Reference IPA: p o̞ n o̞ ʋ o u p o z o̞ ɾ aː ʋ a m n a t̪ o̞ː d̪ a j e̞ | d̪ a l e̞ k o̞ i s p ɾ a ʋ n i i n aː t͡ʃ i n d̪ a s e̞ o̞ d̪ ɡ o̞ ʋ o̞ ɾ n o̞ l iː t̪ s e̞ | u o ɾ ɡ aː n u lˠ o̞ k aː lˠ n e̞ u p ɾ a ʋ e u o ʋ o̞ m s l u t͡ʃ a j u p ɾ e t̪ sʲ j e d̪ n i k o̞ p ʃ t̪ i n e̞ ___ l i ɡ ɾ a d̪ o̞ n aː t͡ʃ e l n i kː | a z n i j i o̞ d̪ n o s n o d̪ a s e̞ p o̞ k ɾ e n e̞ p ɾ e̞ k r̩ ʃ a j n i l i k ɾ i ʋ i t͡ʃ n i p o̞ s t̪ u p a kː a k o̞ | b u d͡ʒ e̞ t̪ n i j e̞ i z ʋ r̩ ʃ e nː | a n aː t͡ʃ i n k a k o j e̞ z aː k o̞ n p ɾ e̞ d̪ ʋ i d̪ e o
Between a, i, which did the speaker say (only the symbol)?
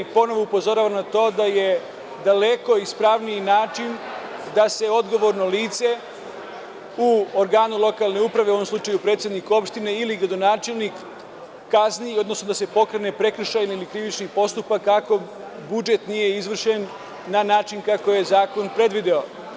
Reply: i